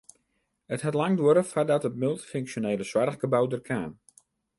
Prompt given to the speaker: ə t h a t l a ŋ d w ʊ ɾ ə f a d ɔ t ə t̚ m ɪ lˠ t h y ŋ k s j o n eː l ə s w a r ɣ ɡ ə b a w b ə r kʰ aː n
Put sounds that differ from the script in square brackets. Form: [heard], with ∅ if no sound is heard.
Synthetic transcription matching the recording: ə t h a t l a ŋ d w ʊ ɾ ə f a d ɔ t ə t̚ m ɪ lˠ t [f] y ŋ k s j o n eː l ə s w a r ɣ ɡ ə b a w [d] ə r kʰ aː n